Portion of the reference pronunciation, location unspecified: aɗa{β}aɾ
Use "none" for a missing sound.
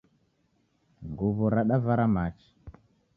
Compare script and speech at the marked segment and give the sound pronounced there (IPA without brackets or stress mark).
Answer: v